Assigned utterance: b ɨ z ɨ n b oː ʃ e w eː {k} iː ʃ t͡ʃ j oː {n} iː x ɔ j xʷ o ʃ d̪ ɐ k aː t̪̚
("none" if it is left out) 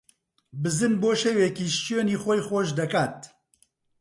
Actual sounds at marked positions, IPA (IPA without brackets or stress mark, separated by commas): k, n